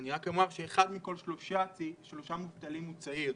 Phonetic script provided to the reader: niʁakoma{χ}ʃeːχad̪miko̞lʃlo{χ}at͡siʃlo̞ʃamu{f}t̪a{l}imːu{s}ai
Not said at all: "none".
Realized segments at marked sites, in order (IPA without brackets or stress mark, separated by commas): ʁ, ʃ, v, l, t͡s